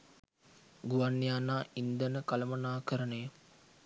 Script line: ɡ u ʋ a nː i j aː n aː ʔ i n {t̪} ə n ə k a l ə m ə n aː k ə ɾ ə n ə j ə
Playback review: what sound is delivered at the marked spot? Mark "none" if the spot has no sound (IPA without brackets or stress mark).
d̪